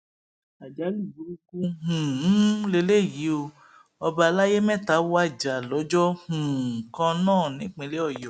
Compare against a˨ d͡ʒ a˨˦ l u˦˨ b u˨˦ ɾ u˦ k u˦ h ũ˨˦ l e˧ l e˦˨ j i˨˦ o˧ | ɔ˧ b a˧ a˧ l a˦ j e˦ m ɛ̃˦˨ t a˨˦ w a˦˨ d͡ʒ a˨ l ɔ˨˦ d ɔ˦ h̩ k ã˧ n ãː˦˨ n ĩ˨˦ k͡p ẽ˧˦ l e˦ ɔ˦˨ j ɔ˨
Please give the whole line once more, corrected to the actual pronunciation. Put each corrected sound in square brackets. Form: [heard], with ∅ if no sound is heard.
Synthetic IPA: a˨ d͡ʒ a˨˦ l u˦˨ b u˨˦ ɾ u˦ k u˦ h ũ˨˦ l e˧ l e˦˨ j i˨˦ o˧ | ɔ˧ b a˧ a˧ l a˦ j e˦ m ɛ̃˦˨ t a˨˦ w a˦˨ d͡ʒ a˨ l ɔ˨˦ [d͡ʒ] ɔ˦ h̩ k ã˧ n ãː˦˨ n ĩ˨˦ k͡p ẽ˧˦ l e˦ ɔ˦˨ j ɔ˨